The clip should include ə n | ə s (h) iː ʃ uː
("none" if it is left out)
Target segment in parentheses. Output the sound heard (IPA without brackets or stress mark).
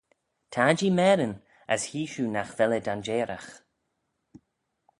h